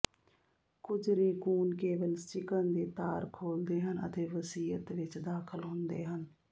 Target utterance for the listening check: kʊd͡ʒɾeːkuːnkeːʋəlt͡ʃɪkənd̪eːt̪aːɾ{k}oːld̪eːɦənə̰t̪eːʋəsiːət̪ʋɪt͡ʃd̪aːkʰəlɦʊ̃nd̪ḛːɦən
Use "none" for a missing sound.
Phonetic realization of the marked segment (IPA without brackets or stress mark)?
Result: kʰ